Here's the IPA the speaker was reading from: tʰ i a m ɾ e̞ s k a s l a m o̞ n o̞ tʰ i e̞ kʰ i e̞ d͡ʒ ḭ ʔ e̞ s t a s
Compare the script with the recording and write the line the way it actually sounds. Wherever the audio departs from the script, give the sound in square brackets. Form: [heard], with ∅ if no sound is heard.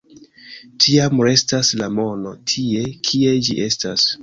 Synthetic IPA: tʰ i a m ɾ e̞ s [t] a s l a m o̞ n o̞ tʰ i e̞ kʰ i e̞ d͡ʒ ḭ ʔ e̞ s t a s